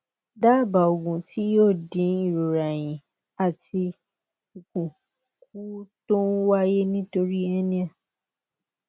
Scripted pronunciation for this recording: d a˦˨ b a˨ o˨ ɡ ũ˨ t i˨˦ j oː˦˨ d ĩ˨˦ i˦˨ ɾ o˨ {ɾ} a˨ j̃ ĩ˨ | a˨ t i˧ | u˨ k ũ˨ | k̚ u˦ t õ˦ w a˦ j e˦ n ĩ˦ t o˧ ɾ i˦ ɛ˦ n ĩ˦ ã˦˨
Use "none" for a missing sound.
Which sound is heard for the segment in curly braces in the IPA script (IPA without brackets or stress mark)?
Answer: ɾ